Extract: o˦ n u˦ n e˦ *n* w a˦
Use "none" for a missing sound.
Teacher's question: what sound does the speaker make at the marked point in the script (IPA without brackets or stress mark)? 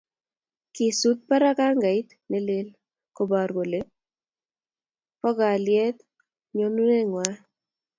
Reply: ŋ